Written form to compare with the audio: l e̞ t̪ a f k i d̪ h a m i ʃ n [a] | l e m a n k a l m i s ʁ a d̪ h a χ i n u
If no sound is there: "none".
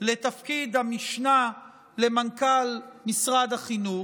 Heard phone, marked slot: a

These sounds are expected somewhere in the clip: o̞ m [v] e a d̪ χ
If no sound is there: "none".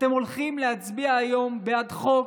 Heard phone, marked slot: b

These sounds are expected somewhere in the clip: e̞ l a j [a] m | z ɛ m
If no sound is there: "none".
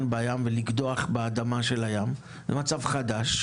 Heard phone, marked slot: a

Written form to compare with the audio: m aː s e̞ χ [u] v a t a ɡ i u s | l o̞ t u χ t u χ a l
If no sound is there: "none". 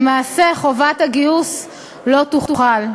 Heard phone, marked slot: o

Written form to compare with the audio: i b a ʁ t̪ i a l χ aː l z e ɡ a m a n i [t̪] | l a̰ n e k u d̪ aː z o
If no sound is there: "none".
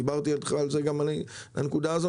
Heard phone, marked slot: none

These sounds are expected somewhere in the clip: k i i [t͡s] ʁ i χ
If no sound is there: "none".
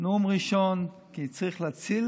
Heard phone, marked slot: t͡s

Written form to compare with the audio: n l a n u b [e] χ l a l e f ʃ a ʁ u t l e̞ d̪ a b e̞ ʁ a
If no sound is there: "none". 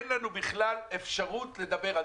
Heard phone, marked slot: i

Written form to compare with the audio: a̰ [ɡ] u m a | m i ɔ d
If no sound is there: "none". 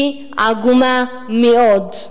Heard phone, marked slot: ɡ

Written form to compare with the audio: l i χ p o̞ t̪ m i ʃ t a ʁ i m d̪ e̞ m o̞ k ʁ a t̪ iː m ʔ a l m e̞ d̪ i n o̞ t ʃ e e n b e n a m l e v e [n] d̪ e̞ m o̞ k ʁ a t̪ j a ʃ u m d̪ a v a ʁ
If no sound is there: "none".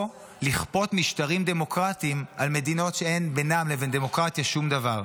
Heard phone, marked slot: n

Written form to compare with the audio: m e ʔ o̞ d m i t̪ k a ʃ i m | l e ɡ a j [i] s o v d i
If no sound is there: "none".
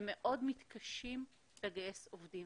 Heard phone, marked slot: e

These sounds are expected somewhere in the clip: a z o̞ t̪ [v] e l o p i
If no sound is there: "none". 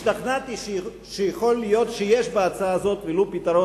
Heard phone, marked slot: v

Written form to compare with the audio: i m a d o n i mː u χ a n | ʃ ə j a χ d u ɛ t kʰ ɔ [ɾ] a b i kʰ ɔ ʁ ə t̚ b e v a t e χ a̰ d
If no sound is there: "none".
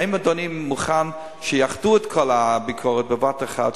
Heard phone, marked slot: l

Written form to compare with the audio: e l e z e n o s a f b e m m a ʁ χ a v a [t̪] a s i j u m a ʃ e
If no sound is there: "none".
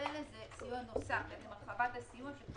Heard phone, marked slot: t̪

